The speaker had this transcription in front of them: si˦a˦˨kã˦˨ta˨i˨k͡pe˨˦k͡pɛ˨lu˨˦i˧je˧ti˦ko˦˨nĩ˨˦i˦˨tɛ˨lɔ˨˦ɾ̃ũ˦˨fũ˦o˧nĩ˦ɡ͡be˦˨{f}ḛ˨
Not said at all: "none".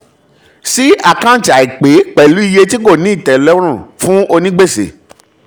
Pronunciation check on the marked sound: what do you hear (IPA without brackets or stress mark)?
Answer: s